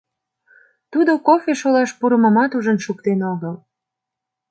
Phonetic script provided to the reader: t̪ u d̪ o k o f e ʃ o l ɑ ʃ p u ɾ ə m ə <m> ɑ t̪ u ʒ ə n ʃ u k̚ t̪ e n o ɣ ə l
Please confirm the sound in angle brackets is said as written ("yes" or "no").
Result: yes